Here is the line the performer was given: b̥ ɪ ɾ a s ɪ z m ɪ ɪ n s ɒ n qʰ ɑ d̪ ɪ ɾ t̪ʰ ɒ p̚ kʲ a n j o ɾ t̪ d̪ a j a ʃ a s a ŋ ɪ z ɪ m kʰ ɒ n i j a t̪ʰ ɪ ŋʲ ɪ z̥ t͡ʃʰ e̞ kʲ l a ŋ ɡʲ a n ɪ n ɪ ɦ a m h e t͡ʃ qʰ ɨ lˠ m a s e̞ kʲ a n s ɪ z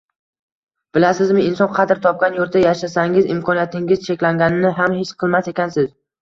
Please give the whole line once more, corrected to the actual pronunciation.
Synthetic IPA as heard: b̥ ɪ l a s ɪ z m ɪ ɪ n s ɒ n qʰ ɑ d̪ ɪ ɾ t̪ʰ ɒ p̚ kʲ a n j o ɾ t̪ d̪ a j a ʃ a s a ŋ ɪ z ɪ m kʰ ɒ n i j a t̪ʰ ɪ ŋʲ ɪ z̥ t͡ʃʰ e̞ kʲ l a ŋ ɡʲ a n ɪ n ɪ ɦ a m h e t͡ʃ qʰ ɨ lˠ m a s e̞ kʲ a n s ɪ z